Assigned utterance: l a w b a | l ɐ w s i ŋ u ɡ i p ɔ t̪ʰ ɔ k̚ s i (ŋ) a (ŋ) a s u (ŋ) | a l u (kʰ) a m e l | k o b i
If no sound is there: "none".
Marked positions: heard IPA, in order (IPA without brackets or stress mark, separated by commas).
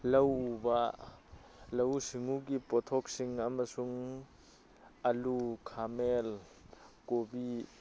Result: ŋ, m, ŋ, kʰ